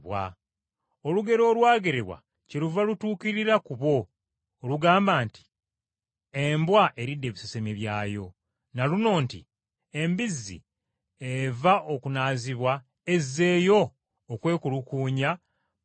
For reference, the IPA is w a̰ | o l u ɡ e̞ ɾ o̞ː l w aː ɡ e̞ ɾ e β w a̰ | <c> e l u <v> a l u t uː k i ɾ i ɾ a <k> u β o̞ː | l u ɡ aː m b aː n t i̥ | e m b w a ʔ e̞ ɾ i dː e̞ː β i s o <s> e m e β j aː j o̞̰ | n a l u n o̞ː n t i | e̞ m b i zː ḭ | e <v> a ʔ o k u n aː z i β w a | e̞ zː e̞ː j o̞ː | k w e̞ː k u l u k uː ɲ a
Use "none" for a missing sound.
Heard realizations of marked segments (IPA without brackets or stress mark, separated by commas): c, v, k, s, v